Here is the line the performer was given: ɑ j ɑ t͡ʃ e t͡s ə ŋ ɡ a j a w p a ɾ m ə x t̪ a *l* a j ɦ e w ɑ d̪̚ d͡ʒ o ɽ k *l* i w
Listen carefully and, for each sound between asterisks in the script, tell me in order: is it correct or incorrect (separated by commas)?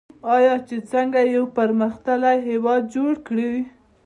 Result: correct, incorrect